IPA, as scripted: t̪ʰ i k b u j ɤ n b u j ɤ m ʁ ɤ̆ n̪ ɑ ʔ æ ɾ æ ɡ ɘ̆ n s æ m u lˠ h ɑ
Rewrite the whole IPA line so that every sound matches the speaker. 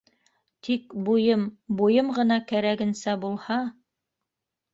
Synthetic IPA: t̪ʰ i k b u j ɤ m b u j ɤ m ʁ ɤ̆ n̪ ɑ k æ ɾ æ ɡ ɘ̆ n s æ b u lˠ h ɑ